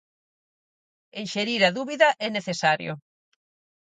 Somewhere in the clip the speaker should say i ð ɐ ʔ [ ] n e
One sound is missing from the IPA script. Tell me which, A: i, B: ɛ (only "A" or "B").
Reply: B